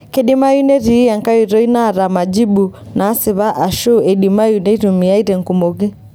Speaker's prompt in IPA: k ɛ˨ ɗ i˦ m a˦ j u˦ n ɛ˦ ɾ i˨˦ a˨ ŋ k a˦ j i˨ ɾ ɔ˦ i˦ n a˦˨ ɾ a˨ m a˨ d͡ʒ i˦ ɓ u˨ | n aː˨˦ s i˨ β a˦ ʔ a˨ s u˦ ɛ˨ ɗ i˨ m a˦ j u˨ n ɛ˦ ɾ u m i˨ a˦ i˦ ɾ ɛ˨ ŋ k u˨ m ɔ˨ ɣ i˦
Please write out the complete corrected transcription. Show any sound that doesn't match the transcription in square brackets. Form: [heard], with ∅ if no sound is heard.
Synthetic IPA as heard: k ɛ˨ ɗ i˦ m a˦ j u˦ n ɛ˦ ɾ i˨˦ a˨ ŋ k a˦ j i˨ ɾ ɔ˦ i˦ n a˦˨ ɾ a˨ m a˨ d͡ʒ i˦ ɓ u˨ | n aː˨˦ s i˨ β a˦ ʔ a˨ [ʃ] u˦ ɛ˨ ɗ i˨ m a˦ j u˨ n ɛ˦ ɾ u m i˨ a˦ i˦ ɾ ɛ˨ ŋ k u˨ m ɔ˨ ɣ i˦